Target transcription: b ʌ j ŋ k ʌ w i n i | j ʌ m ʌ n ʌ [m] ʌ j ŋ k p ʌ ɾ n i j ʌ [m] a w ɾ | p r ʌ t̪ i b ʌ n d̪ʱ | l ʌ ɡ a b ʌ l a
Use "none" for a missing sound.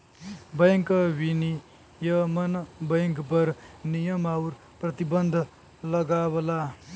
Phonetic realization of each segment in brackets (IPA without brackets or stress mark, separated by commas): b, m